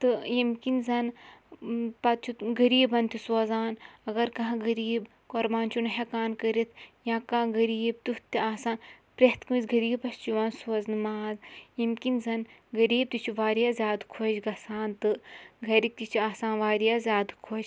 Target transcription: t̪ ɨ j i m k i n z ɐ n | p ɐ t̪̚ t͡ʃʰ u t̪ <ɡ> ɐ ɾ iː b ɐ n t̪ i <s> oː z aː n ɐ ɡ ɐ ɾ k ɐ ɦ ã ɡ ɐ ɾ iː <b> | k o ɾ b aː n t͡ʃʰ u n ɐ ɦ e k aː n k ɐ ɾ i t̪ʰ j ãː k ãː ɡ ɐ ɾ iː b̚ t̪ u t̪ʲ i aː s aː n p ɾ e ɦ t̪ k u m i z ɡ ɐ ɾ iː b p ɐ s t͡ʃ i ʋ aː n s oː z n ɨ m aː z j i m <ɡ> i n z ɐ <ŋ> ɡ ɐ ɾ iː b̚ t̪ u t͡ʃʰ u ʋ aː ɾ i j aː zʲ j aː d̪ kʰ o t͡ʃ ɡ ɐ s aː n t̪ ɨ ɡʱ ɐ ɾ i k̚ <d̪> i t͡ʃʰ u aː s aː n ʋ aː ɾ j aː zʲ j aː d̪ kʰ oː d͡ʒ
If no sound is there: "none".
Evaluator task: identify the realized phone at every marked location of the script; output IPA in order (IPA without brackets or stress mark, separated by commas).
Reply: ɡ, s, b, k, n, t̪